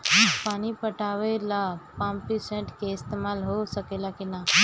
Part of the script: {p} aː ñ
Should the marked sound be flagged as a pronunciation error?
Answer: no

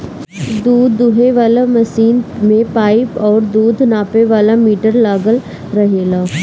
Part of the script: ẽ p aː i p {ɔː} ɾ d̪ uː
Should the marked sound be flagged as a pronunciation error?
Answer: no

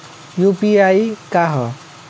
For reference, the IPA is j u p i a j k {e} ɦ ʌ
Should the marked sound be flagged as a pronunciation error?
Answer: yes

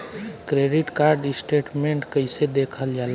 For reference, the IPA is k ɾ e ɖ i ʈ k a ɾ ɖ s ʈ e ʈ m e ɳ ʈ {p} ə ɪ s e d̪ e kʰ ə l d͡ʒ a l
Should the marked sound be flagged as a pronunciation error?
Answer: yes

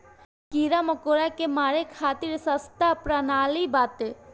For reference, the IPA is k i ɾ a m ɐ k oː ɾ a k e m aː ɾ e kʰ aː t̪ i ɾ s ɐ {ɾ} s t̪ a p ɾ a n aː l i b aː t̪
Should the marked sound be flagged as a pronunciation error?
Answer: yes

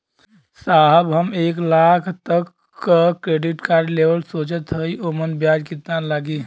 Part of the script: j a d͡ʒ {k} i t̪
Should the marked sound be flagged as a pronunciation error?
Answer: no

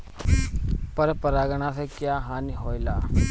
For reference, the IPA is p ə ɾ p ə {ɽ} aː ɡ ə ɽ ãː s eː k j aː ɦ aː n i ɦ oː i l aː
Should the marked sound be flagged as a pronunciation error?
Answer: yes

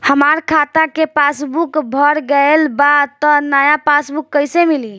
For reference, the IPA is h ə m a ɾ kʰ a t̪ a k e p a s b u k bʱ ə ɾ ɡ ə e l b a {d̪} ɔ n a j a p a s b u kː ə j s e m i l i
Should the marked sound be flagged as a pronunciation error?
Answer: yes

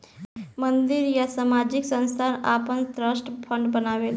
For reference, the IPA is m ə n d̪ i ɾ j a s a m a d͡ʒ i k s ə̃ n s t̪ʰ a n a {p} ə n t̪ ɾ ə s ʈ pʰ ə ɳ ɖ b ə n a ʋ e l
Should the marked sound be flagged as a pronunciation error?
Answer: no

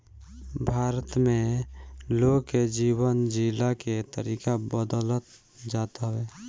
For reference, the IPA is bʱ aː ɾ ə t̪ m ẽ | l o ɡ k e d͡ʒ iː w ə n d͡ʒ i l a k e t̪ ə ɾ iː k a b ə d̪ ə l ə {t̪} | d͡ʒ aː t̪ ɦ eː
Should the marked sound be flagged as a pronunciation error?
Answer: no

